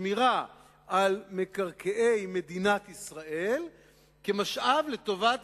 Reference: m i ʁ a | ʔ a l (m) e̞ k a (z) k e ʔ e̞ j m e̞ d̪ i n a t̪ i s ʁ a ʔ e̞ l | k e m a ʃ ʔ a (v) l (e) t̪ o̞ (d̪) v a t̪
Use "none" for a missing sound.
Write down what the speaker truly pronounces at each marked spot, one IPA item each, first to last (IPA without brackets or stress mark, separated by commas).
m, ʁ, v, e, none